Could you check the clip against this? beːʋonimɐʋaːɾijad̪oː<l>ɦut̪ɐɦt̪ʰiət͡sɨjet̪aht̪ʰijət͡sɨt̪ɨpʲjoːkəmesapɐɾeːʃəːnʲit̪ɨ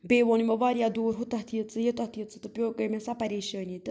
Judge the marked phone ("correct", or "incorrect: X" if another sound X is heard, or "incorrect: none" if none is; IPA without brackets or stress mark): incorrect: ɾ